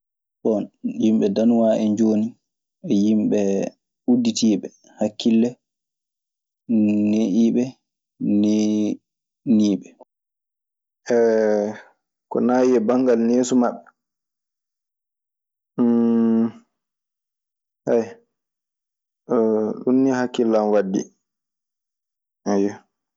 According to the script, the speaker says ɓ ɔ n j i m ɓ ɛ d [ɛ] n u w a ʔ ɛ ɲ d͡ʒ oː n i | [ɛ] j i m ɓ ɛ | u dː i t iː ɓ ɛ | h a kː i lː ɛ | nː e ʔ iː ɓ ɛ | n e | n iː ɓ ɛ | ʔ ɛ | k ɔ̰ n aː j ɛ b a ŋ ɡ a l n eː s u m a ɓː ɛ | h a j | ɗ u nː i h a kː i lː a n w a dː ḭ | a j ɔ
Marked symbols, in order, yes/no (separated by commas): no, yes